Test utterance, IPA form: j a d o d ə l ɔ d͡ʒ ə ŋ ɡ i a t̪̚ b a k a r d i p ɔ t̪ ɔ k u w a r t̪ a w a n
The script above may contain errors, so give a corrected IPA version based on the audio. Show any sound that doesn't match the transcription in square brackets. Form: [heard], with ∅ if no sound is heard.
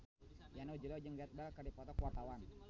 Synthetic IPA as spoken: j a [n] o [d͡ʒ] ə l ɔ d͡ʒ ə ŋ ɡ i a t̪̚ b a k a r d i p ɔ t̪ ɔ k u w a r t̪ a w a n